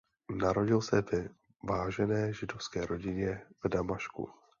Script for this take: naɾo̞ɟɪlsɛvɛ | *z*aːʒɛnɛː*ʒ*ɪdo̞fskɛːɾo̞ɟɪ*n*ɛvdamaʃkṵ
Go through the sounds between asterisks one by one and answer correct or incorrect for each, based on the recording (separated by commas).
incorrect, correct, incorrect